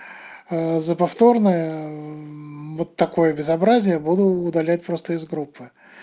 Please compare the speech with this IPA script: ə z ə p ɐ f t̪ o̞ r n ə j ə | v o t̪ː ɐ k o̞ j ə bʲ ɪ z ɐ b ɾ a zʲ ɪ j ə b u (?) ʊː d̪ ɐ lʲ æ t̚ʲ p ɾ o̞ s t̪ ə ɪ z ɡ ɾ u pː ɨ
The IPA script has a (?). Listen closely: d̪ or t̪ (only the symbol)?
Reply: d̪